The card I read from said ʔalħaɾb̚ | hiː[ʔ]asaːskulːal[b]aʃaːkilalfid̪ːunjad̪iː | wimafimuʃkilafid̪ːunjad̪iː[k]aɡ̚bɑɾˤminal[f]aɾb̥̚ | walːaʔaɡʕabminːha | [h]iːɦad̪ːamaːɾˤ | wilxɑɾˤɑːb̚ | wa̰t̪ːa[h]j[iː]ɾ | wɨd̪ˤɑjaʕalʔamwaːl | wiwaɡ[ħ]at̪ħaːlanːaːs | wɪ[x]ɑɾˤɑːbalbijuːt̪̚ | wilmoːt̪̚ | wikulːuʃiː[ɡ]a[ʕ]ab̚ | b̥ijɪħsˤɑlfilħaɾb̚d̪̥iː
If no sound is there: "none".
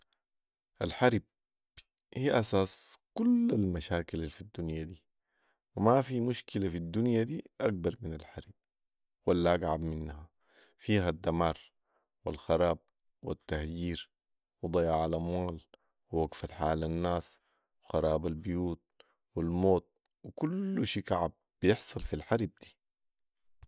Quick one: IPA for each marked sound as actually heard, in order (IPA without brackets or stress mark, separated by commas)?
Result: ʔ, m, ʔ, ħ, f, h, iː, f, x, k, ʕ